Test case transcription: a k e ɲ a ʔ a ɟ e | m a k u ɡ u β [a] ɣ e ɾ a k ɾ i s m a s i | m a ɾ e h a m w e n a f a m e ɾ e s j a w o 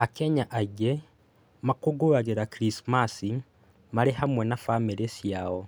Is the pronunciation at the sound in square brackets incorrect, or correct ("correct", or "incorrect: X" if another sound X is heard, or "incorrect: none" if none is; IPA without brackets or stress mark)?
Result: correct